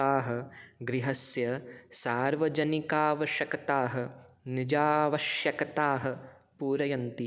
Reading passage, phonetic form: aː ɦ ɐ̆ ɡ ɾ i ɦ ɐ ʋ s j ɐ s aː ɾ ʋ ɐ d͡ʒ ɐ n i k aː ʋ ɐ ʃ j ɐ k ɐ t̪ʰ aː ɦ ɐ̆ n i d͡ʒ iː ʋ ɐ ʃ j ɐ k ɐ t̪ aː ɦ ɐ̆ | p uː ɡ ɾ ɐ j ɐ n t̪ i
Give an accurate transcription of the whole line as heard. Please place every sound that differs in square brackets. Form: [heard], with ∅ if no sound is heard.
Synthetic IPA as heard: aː ɦ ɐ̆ ɡ ɾ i ɦ ɐ [∅] s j ɐ s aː ɾ ʋ ɐ d͡ʒ ɐ n i k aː ʋ ɐ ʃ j ɐ k ɐ [t̪] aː ɦ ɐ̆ n i d͡ʒ [aː] ʋ ɐ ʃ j ɐ k ɐ t̪ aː ɦ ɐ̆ | p uː [∅] ɾ ɐ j ɐ n t̪ i